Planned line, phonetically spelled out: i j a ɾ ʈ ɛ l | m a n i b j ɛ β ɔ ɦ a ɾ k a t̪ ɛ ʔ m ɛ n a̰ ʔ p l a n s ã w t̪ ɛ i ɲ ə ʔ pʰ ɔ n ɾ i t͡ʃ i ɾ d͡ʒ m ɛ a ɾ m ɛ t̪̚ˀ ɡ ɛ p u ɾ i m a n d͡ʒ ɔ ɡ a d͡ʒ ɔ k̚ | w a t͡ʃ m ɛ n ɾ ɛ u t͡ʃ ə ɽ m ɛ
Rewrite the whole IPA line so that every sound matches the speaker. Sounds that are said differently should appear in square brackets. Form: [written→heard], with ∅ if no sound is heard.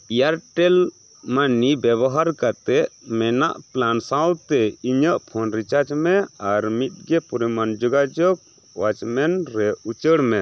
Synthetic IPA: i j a ɾ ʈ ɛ l | m a n i b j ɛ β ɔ ɦ a ɾ k a t̪ ɛ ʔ m ɛ n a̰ ʔ p l a n s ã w t̪ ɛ i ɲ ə ʔ pʰ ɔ n ɾ i t͡ʃ [i→a] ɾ d͡ʒ m ɛ a ɾ m [ɛ→i] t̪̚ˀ ɡ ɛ p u ɾ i m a n d͡ʒ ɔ ɡ a d͡ʒ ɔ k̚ | w a t͡ʃ m ɛ n ɾ ɛ u t͡ʃ ə ɽ m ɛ

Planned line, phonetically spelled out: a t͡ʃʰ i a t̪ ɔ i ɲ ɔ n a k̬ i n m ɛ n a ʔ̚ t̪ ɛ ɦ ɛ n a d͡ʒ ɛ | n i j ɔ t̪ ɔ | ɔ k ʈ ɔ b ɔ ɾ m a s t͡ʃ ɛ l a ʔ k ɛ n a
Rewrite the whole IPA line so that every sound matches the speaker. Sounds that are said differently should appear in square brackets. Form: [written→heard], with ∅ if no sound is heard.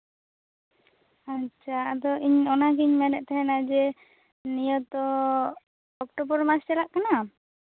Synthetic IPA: a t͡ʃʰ [i→a] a [t̪→d̪] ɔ i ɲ ɔ n a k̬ i [n→ɲ] m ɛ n [a→ɛ] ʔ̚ t̪ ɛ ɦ ɛ n a d͡ʒ ɛ | n i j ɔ t̪ ɔ | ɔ k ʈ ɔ b ɔ ɾ m a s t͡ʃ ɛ l a ʔ k [ɛ→a] n a

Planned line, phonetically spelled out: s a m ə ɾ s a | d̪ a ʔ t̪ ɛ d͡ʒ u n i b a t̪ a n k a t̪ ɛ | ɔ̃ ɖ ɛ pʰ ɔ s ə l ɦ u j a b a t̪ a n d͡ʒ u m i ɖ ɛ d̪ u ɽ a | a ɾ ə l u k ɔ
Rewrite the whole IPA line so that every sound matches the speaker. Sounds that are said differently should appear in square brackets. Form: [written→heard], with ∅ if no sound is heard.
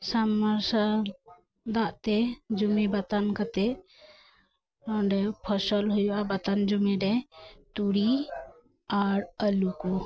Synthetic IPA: s a m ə ɾ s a | d̪ a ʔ t̪ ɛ d͡ʒ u [n→m] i b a t̪ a n k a t̪ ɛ | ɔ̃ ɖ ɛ pʰ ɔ s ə l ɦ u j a b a t̪ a n d͡ʒ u m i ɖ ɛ [d̪→t̪] u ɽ [a→i] | a ɾ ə l u k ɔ

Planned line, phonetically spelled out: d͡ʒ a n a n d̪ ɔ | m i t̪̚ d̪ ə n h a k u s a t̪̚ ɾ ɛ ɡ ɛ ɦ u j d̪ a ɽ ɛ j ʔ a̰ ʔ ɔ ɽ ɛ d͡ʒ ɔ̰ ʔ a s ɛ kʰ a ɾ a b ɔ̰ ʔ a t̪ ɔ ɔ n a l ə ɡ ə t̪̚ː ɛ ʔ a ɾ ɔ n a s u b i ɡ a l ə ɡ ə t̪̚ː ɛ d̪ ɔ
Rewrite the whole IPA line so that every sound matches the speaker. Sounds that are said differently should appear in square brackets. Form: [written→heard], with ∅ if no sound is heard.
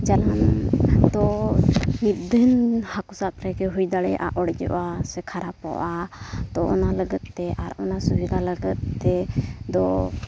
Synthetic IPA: d͡ʒ a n a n d̪ ɔ | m i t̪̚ d̪ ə n h a k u s a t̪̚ ɾ ɛ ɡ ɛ ɦ u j d̪ a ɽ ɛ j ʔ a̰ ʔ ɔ ɽ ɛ d͡ʒ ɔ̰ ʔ a s ɛ kʰ a ɾ a [b→p] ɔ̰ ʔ a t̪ ɔ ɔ n a l ə ɡ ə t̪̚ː ɛ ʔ a ɾ ɔ n a s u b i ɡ a l ə ɡ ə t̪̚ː ɛ d̪ ɔ

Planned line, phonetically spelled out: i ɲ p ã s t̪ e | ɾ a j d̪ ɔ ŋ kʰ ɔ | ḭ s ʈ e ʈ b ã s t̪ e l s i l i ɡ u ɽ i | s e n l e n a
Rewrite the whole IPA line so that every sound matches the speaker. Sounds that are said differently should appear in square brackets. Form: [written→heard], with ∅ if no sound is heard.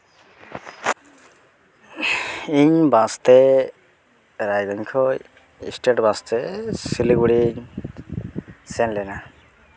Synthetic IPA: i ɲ [p→b] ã s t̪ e | ɾ a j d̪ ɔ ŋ kʰ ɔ | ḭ s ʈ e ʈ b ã s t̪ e [l→∅] s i l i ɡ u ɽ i | s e n l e n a

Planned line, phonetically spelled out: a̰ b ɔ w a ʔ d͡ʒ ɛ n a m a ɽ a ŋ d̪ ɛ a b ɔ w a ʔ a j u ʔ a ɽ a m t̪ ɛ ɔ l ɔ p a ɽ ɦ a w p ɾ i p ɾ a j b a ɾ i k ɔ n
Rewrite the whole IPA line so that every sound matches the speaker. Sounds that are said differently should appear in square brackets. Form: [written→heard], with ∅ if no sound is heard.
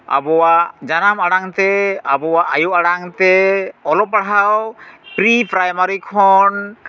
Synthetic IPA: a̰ b ɔ w a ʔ d͡ʒ [ɛ→a] n a m a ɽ a ŋ [d̪→t̪] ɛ a b ɔ w a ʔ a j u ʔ a ɽ a [m→ŋ] t̪ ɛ ɔ l ɔ p a ɽ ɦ a w p ɾ i p ɾ a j [b→m] a ɾ i [k→kʰ] ɔ n

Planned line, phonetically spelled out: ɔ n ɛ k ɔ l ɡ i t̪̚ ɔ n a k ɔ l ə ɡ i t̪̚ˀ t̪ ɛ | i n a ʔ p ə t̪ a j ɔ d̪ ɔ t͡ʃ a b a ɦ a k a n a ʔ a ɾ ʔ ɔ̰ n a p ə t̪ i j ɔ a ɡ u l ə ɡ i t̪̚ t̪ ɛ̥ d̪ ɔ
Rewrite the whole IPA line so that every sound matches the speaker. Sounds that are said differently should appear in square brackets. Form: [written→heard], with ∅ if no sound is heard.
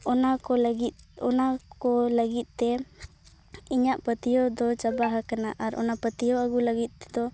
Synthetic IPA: ɔ n [ɛ→a] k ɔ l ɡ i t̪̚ ɔ n a k ɔ l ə ɡ i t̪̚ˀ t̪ ɛ | i [n→ɲ] a ʔ p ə t̪ [a→i] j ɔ d̪ ɔ t͡ʃ a b a ɦ a k a n a ʔ a ɾ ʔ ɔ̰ n a p ə t̪ i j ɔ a ɡ u l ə ɡ i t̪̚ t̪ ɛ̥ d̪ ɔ

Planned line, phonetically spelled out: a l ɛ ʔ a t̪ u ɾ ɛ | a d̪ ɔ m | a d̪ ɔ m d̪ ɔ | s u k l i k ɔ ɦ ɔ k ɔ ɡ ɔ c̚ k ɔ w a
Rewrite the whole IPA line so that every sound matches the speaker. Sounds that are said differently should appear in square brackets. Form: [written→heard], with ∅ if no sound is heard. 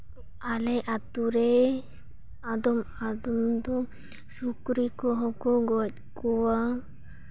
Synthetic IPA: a l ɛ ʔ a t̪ u ɾ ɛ | a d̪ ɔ m | a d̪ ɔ m d̪ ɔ | s u k [l→ɾ] i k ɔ ɦ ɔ k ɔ ɡ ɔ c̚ k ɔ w a

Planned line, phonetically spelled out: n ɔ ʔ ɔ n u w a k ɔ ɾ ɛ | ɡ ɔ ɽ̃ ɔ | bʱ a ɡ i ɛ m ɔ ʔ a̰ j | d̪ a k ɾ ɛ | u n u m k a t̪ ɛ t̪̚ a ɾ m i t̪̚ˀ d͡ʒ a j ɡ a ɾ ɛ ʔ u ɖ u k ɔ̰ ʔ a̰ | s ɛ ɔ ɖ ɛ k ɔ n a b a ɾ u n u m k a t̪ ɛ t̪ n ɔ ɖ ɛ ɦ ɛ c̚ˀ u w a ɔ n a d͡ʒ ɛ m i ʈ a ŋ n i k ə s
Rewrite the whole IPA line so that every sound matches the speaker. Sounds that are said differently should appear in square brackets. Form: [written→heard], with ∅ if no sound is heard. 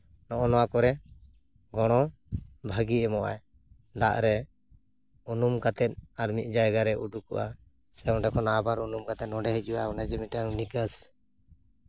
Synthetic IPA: n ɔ ʔ ɔ n [u→ɔ] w a k ɔ ɾ ɛ | ɡ ɔ ɽ̃ ɔ | bʱ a ɡ i ɛ m ɔ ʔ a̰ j | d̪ a [k→ʔ] ɾ ɛ | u n u m k a t̪ ɛ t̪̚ a ɾ m i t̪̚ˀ d͡ʒ a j ɡ a ɾ ɛ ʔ u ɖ u k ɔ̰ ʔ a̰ | s ɛ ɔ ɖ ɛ k ɔ n a b a ɾ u n u m k a t̪ ɛ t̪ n ɔ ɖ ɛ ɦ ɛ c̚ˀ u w a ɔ n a d͡ʒ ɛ m i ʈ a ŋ n i k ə s

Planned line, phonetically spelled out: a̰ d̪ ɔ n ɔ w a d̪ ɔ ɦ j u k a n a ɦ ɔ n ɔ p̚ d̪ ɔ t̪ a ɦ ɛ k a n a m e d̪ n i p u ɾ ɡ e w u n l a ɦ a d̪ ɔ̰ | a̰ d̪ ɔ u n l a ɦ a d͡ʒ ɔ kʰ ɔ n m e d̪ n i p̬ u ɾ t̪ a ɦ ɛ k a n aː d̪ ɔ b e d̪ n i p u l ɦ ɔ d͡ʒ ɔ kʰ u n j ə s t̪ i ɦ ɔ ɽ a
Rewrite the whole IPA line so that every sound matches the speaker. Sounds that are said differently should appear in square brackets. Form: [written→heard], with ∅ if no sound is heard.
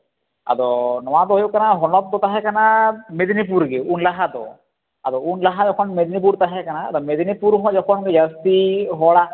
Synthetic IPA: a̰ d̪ ɔ n ɔ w a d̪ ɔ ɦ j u k a n a ɦ ɔ n ɔ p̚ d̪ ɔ t̪ a ɦ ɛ k a n a m e d̪ n i p u ɾ ɡ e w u n l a ɦ a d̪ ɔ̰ | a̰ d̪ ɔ u n l a ɦ a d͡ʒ ɔ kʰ ɔ n m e d̪ n i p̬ u ɾ t̪ a ɦ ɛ k a n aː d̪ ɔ [b→m] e d̪ n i p u [l→ɾ] ɦ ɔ d͡ʒ ɔ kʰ [u→ɔ] n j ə s t̪ i ɦ ɔ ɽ a

